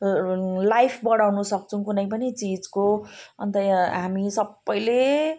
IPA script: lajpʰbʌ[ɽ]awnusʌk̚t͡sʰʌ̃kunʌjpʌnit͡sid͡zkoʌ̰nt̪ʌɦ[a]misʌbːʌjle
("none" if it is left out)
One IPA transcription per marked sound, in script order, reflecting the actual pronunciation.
ɽ, a

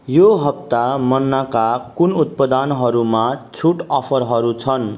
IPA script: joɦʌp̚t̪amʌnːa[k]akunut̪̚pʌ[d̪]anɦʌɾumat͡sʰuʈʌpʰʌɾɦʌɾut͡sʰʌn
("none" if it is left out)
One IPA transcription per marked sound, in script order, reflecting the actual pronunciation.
k, d̪

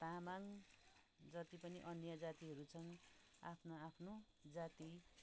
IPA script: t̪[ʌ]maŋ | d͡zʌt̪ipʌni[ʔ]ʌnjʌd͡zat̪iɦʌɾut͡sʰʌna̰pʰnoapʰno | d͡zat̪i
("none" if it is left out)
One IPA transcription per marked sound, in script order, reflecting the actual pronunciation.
a, ʔ

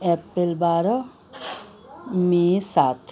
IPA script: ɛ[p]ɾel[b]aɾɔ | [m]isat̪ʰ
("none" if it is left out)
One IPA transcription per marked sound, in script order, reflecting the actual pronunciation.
p, b, m

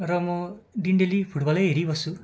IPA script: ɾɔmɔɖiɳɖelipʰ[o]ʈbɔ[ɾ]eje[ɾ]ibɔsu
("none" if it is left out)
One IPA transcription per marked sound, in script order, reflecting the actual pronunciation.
u, l, ɾ

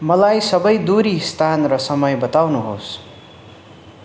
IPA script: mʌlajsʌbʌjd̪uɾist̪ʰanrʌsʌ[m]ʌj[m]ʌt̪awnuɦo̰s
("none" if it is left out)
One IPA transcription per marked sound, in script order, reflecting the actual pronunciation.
m, b

